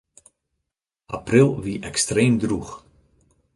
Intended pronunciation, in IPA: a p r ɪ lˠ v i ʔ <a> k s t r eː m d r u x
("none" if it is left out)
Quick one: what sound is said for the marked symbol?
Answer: ɛ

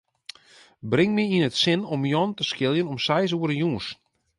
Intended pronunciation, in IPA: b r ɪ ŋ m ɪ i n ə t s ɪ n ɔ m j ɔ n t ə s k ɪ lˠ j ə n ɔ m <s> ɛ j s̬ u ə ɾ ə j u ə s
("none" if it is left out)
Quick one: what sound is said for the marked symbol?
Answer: s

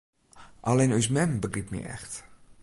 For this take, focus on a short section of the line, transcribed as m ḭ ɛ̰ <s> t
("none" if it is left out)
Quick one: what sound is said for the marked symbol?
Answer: x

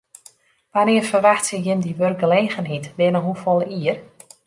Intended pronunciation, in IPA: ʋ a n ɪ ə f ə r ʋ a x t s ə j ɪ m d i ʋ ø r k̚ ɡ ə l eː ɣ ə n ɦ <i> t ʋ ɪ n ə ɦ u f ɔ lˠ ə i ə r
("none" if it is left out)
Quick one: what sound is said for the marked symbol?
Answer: i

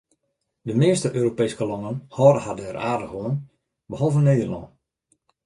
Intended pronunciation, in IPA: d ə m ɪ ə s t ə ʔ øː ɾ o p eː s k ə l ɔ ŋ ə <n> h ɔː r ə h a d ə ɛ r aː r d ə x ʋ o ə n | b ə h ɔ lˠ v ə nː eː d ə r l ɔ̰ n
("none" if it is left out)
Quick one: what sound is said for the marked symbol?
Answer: n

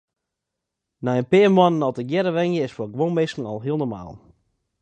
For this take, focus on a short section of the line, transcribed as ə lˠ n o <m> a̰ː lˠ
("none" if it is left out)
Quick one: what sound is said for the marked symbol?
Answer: m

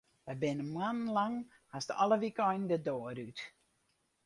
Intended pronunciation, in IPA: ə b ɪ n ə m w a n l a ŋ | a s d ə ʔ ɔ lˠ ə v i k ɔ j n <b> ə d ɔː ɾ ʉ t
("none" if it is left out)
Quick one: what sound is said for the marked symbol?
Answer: d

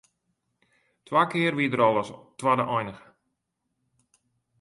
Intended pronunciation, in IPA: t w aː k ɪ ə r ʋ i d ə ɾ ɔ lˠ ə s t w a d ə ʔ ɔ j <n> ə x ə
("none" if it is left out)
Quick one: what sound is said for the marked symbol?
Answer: n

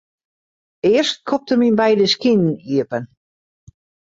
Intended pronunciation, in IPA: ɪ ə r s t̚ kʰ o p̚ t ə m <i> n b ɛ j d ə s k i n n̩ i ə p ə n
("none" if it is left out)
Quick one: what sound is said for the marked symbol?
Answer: i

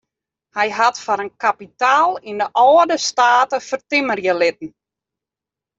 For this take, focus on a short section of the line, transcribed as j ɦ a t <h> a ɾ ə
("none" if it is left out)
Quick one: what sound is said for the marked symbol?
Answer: f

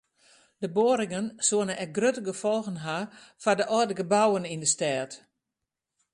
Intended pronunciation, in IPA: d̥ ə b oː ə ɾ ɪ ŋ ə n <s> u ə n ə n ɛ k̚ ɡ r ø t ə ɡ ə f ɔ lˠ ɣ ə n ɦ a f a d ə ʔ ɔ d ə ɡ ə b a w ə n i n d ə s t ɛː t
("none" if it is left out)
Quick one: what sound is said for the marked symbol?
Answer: s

